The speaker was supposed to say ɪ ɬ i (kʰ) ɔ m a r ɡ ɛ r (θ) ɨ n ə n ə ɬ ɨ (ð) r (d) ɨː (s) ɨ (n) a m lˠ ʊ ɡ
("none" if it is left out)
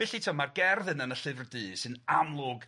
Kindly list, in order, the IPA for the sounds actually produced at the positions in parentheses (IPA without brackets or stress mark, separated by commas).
tʰ, ð, v, d, s, n